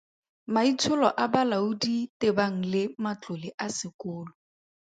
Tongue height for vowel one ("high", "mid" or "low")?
low